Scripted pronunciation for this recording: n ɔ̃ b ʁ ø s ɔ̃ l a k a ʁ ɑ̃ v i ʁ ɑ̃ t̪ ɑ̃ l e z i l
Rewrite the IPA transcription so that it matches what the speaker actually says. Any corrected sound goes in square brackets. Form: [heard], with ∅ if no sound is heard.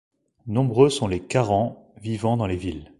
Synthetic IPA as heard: n ɔ̃ b ʁ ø s ɔ̃ l [e] k a ʁ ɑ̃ v i [v] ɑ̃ [d̪] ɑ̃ l e [v] i l